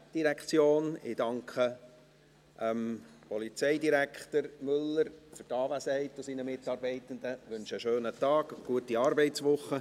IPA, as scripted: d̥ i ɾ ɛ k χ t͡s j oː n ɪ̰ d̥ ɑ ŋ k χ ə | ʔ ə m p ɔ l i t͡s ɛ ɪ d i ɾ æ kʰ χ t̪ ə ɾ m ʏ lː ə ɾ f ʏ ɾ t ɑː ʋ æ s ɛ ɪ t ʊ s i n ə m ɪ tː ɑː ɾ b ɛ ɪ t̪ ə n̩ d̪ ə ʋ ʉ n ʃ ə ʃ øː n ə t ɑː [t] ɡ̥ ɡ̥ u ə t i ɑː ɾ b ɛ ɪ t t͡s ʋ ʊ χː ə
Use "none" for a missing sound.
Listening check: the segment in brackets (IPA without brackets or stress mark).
none